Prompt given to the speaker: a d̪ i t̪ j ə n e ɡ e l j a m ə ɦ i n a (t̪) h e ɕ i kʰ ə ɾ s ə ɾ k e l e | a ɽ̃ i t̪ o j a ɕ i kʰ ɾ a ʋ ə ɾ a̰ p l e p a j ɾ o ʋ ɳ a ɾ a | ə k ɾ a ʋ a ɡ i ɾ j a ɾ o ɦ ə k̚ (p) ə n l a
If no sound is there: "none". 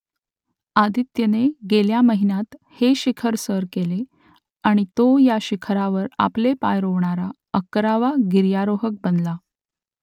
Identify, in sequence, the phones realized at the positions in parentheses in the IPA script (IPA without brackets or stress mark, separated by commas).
t̪, b